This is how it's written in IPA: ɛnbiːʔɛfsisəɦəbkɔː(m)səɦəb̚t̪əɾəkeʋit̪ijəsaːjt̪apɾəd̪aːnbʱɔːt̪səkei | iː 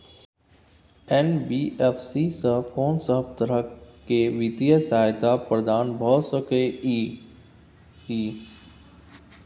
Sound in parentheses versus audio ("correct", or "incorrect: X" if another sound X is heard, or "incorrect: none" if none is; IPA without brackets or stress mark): incorrect: n